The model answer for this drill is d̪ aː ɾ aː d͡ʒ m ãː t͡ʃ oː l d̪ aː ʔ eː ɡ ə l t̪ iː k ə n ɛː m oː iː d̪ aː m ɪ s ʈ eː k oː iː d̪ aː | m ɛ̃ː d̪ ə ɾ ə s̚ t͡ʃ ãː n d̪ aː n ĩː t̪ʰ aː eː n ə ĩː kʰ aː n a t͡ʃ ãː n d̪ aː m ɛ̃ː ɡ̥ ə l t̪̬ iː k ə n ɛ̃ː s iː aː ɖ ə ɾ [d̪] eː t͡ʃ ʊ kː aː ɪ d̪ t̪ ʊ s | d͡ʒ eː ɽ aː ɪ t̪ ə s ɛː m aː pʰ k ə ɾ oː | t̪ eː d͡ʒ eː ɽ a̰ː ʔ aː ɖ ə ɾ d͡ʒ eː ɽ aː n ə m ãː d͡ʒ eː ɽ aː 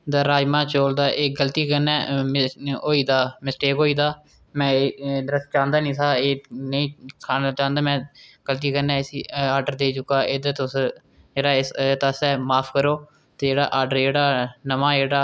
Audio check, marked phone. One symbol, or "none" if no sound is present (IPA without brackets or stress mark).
d̪